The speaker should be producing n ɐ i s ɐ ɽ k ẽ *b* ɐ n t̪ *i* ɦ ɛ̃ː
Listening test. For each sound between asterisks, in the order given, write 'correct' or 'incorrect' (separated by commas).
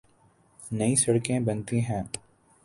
correct, correct